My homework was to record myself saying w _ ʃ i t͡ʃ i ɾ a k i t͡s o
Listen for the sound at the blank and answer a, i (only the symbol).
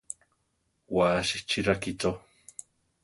a